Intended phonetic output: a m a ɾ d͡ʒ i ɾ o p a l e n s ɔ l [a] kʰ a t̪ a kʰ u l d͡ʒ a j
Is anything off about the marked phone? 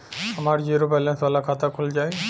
no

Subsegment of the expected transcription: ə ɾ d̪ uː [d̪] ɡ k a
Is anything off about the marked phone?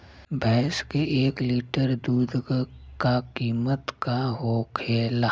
no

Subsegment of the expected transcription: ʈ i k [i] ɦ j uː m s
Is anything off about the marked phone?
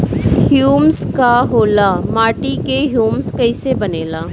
yes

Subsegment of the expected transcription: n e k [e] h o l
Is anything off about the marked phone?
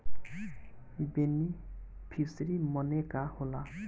yes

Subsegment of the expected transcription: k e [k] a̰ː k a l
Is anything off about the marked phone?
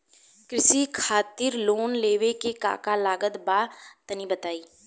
no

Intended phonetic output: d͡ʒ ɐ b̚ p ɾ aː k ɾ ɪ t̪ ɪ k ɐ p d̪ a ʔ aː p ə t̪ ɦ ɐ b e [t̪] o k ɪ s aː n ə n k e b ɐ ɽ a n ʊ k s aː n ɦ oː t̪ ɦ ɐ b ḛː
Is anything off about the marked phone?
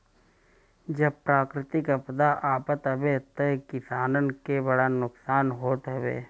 no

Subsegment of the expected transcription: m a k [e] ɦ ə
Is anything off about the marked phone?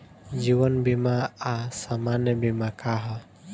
yes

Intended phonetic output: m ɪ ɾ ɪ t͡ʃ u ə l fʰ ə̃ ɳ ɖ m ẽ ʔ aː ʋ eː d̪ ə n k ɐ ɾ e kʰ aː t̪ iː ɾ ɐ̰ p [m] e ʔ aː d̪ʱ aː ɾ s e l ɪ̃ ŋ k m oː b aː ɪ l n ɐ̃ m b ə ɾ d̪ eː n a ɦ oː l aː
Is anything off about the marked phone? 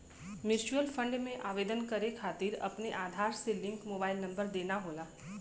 yes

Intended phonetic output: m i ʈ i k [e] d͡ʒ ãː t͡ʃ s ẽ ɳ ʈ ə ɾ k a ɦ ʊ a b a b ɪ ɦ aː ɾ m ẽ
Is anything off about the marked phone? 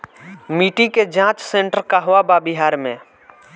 no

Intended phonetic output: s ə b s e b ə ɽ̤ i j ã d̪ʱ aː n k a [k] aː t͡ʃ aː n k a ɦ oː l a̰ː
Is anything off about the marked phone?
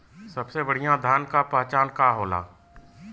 yes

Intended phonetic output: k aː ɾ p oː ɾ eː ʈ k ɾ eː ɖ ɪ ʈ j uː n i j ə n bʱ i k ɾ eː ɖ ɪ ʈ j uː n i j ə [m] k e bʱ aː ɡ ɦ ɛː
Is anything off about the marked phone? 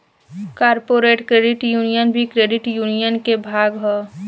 yes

